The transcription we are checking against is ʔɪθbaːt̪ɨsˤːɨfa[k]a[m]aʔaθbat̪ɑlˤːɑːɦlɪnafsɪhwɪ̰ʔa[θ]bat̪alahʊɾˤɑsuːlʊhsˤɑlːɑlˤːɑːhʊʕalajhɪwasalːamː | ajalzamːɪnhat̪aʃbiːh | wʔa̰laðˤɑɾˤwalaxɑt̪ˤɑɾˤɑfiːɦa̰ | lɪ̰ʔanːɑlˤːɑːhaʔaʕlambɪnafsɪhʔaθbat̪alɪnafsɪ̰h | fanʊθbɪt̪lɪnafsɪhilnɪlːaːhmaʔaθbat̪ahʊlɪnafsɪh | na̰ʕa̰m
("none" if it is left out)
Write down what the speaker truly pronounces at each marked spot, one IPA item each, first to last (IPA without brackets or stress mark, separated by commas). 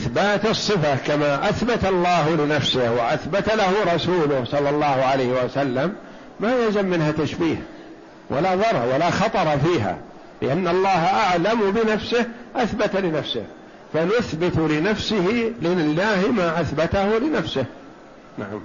k, m, θ